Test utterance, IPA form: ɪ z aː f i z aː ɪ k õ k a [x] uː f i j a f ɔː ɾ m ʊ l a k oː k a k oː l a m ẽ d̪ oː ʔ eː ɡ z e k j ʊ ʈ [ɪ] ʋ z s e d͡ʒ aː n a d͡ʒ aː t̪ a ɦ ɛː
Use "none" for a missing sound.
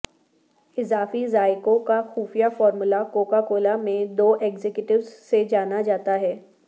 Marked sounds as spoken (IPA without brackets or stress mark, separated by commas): x, ɪ